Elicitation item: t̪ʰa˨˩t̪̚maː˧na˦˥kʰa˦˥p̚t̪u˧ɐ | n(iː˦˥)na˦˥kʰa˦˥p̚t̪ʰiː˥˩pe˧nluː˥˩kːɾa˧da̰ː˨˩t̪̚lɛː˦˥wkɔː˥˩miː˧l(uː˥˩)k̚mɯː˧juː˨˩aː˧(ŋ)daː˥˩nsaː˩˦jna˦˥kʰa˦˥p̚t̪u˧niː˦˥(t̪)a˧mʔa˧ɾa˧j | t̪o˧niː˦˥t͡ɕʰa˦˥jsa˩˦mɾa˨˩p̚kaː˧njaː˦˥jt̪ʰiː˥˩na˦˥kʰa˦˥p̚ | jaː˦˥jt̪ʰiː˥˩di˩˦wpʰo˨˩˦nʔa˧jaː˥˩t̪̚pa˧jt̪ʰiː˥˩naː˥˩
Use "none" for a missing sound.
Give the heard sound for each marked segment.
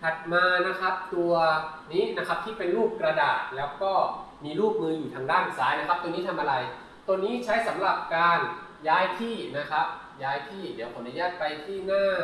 iː˦˥, uː˥˩, ŋ, t̪ʰ

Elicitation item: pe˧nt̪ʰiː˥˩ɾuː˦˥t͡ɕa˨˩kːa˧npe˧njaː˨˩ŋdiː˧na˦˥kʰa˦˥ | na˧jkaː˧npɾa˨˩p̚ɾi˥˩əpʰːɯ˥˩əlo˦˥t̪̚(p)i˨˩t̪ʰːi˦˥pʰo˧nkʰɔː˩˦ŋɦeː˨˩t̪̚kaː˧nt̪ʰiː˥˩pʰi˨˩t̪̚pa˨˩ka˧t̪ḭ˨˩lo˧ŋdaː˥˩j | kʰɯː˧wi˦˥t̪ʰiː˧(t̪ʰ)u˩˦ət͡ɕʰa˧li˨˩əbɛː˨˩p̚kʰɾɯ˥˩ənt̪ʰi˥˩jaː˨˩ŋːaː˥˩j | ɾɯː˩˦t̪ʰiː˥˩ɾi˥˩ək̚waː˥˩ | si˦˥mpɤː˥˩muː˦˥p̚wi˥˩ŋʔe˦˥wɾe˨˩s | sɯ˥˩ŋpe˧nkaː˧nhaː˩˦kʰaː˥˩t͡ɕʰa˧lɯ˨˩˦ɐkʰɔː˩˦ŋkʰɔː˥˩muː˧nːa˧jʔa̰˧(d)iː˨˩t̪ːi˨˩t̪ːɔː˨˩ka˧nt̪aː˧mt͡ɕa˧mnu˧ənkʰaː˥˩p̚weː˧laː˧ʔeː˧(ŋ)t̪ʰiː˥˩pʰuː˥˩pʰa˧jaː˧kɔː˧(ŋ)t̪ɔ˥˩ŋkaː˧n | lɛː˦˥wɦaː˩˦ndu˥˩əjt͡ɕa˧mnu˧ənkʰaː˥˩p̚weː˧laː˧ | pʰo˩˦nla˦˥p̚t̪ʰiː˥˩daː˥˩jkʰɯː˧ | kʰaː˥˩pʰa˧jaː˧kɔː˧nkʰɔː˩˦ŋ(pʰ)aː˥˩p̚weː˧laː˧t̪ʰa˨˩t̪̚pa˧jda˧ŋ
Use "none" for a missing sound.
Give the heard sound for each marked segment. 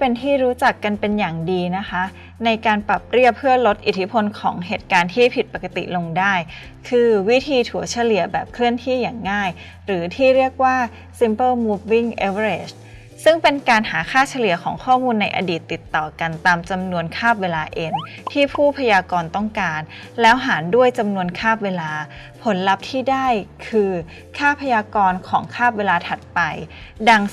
ʔ, t̪ʰ, d, n, n, kʰ

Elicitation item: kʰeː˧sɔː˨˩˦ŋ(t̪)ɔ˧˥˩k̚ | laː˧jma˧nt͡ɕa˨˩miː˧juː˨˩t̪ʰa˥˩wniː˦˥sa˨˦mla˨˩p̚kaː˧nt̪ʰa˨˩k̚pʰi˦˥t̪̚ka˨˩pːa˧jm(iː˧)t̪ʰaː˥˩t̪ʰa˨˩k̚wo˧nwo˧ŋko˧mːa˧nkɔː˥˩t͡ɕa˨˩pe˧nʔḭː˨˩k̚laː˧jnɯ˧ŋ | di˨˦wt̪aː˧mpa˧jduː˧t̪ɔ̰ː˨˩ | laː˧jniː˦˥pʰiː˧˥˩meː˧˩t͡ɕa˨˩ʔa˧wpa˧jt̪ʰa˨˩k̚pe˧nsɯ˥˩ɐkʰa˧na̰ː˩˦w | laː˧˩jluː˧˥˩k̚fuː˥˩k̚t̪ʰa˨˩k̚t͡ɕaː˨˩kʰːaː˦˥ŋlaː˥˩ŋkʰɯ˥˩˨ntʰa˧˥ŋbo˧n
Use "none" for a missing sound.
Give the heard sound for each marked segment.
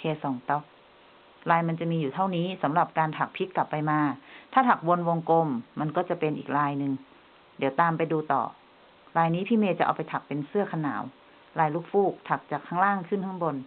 t̪, aː˧

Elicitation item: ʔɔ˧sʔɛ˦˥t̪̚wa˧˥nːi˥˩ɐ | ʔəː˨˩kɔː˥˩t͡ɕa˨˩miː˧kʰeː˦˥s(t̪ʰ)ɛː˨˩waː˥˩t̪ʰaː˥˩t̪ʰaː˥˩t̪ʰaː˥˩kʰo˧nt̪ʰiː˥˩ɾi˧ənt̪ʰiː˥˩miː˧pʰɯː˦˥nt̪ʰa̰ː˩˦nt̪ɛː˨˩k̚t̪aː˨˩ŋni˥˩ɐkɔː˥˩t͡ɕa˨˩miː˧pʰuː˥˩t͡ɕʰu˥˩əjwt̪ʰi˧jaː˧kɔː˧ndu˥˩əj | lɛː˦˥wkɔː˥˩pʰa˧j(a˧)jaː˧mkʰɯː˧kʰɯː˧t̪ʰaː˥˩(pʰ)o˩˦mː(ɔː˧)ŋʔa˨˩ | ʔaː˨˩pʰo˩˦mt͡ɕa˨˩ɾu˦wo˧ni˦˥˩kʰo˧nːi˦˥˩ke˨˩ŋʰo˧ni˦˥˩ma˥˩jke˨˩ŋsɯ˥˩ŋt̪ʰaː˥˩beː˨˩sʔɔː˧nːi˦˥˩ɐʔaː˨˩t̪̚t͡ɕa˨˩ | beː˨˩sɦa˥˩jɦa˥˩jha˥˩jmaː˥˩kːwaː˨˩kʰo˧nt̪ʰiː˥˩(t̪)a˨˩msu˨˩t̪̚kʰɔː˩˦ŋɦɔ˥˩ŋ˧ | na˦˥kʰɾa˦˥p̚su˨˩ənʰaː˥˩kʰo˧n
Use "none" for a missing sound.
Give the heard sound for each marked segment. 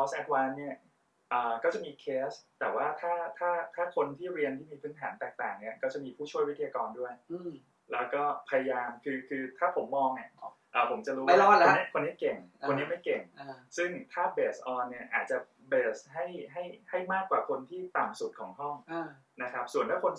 t̪, a˧, pʰ, ɔː˧, t̪

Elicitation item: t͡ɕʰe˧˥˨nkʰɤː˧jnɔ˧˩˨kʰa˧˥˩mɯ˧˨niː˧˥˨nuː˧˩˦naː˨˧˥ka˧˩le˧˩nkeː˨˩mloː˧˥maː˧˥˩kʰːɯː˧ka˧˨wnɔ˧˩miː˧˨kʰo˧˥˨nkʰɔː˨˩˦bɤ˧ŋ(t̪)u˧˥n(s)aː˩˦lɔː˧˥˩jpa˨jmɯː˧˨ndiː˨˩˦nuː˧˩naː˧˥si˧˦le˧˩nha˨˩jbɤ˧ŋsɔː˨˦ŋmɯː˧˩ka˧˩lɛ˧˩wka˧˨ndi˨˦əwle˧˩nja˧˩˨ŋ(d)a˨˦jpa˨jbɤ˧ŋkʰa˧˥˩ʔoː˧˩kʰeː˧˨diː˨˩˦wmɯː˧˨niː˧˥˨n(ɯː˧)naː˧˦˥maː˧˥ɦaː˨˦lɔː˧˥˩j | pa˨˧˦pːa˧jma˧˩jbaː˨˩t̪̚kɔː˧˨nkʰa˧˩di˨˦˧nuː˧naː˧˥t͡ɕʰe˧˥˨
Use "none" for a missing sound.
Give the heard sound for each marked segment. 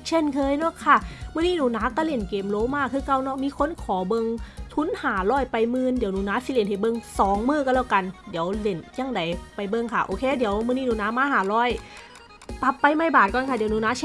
t̪ʰ, h, d, uː˧

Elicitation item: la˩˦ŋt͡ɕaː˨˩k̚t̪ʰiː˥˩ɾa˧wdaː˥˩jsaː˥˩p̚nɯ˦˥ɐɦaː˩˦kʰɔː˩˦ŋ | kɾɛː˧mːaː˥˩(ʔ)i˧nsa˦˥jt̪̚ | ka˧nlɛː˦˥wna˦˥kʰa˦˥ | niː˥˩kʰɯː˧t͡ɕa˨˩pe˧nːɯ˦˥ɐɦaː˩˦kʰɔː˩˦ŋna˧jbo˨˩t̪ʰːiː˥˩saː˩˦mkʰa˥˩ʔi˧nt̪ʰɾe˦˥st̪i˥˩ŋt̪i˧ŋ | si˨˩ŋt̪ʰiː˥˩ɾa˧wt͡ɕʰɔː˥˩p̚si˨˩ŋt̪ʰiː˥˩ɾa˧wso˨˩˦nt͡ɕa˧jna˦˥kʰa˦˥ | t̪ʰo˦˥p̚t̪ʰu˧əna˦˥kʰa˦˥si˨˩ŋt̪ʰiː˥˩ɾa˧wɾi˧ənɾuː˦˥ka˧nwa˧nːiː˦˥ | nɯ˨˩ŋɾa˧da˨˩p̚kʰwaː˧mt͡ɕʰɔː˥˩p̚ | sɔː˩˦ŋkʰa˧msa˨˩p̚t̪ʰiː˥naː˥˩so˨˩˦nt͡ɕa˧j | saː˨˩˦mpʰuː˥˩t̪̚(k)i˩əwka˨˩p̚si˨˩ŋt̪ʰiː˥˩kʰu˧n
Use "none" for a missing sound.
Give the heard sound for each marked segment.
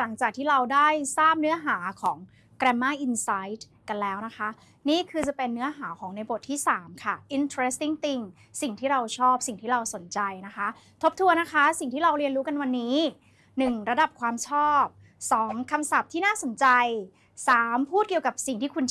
ʔ, k

